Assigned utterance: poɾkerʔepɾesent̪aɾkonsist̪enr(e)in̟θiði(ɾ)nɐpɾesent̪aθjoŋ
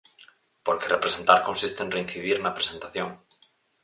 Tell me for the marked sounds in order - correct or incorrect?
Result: correct, correct

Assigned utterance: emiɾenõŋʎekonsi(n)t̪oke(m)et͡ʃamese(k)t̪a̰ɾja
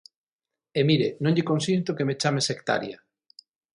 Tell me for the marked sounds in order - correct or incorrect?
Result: correct, correct, correct

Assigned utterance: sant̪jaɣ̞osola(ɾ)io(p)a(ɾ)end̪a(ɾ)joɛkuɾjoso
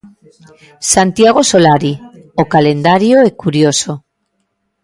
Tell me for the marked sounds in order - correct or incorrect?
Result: correct, incorrect: k, incorrect: l, correct

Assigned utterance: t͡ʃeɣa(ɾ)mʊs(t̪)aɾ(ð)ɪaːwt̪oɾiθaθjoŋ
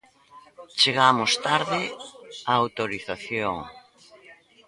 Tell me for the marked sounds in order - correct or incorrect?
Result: incorrect: none, correct, correct

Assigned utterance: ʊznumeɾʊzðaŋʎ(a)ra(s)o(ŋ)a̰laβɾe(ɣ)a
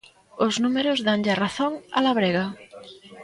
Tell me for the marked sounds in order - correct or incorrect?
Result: correct, incorrect: θ, correct, correct

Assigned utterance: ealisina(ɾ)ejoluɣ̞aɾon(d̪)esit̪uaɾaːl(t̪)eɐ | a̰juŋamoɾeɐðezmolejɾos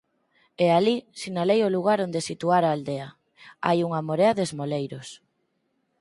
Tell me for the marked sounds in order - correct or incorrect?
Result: incorrect: l, correct, incorrect: d̪

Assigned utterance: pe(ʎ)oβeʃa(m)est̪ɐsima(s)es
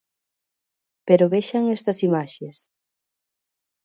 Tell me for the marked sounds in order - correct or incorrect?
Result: incorrect: ɾ, incorrect: ŋ, incorrect: ʃ

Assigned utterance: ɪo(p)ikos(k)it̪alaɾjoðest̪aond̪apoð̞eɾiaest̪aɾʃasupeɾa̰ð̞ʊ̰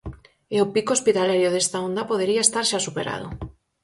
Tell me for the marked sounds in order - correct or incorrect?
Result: correct, incorrect: p

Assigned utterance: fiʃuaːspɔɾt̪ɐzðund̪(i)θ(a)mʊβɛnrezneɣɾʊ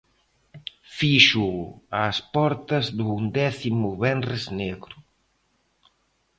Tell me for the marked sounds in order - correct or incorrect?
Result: incorrect: ɛ, incorrect: i

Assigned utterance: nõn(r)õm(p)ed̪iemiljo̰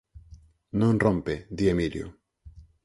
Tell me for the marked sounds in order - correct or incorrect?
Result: correct, correct

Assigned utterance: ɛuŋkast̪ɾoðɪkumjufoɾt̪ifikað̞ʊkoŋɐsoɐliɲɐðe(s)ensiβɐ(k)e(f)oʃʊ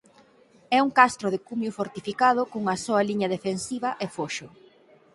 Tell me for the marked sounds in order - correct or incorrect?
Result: incorrect: f, incorrect: ʔ, correct

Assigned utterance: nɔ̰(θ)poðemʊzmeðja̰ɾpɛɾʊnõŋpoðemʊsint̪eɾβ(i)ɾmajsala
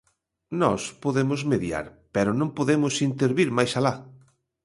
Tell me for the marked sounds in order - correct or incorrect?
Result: incorrect: s, correct

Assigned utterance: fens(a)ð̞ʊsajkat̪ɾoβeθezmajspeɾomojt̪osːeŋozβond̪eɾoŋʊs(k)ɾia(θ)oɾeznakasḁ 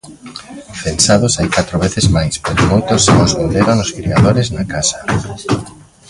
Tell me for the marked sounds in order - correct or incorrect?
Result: correct, correct, incorrect: ð

